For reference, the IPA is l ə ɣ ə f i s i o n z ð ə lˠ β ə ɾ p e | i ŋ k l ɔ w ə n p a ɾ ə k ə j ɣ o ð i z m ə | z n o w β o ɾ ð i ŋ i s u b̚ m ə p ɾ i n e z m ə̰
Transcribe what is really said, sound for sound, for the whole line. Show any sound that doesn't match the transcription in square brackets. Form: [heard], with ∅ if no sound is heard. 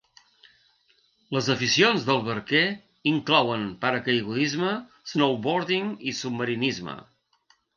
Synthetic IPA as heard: l ə [z] ə f i s i o n z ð ə lˠ β ə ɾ [k] e | i ŋ k l ɔ w ə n p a ɾ ə k ə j ɣ [u] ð i z m ə | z n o w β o ɾ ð i ŋ i s u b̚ m ə [∅] ɾ i n [i] z m ə̰